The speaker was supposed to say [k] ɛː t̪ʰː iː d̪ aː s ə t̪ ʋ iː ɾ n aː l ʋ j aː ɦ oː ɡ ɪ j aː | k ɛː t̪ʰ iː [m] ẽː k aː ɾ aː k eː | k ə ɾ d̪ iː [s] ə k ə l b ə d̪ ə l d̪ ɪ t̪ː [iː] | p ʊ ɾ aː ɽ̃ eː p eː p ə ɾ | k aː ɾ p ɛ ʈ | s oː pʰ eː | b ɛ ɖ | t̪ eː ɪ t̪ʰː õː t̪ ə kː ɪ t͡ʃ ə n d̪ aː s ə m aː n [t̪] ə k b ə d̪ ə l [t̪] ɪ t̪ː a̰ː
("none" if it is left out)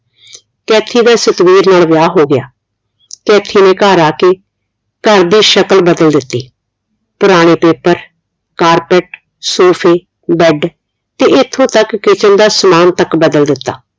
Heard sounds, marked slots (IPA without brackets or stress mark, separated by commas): k, n, ʃ, iː, t̪, d̪